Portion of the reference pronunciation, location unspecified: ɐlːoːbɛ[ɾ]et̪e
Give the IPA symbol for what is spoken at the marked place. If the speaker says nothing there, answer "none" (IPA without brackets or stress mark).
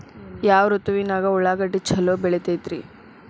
ɭ